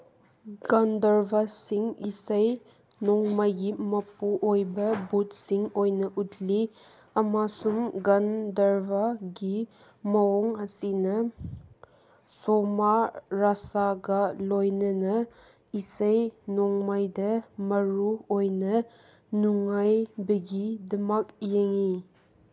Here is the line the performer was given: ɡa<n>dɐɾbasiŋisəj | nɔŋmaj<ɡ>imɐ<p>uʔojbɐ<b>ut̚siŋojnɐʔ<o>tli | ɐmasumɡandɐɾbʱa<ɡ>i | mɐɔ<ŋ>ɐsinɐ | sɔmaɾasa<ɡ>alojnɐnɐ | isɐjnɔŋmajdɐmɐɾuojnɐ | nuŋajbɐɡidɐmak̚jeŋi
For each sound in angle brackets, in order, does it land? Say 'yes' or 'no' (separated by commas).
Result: yes, yes, yes, yes, no, yes, yes, yes